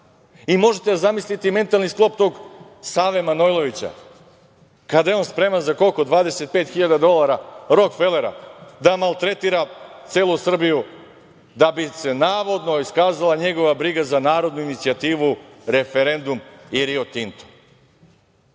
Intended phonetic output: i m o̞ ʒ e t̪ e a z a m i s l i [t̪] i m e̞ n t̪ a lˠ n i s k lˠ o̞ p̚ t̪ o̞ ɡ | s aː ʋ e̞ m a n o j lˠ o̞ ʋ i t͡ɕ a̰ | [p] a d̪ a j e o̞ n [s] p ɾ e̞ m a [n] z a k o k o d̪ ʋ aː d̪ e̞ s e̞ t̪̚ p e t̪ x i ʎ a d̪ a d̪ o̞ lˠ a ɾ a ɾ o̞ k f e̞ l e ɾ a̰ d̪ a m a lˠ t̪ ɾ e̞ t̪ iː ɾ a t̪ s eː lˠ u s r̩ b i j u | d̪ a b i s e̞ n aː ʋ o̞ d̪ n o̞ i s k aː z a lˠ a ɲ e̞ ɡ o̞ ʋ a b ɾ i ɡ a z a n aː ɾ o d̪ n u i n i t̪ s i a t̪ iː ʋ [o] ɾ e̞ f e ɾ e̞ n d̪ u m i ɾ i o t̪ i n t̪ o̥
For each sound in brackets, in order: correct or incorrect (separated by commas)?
correct, incorrect, correct, correct, incorrect